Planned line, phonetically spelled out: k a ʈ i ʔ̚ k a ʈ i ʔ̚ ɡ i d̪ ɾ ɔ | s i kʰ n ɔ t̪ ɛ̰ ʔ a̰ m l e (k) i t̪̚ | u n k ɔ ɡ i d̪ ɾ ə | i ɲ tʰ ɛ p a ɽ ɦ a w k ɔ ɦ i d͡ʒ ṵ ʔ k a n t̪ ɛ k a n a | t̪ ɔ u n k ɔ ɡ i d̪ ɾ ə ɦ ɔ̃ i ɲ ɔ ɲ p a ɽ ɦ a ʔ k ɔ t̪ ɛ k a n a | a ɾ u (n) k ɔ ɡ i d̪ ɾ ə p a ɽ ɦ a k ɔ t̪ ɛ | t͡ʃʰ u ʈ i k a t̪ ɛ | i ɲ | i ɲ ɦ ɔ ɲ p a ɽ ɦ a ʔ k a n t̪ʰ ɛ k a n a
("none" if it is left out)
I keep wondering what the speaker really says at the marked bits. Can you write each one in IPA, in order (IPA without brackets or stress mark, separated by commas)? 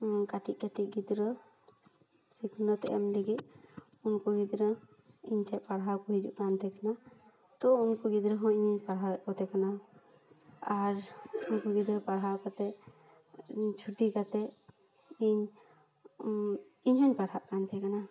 ɡ, n